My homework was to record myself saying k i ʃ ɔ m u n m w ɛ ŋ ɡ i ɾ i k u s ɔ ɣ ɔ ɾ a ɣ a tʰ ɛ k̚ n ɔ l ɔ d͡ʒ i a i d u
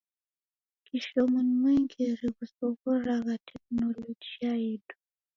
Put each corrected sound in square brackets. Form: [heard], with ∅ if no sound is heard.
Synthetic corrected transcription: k i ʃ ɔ m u n m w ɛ ŋ ɡ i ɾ i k u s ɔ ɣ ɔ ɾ a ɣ a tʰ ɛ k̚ n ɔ l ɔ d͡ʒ i a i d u